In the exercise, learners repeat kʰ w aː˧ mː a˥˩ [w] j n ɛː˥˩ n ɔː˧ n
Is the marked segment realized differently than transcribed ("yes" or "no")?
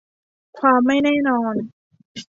yes